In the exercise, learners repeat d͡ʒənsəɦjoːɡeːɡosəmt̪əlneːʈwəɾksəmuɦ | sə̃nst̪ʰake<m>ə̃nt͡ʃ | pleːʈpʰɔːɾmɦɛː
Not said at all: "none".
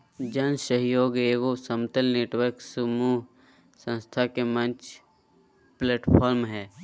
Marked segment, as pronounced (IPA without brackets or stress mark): m